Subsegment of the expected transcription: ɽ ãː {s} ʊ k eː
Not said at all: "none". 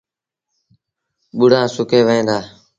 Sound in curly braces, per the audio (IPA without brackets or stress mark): s